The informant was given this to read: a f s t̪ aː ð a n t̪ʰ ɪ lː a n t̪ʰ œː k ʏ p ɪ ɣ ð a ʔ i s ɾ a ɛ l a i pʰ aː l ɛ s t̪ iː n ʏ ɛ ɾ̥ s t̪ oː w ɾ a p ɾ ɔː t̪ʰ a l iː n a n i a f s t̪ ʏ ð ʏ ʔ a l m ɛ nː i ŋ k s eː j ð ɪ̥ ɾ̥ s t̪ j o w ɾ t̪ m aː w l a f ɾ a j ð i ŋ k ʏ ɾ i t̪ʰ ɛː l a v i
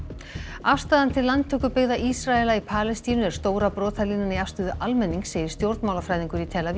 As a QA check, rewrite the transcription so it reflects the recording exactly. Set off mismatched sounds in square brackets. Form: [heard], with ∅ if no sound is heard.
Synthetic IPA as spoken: a f s t̪ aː ð a n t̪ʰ ɪ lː a n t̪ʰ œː k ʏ p ɪ ɣ ð a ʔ i s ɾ a ɛ l a i pʰ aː l ɛ s t̪ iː n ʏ ɛ ɾ̥ s t̪ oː w ɾ a p ɾ ɔː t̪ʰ a l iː n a n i a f s t̪ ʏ ð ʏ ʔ a l m ɛ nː i ŋ k s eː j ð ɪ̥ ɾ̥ s t̪ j o w ɾ t̪ m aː w l a f ɾ a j ð i ŋ k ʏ ɾ i t̪ʰ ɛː l a v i